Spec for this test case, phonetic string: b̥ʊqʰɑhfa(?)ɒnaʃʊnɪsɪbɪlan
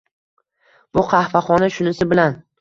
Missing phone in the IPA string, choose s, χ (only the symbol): χ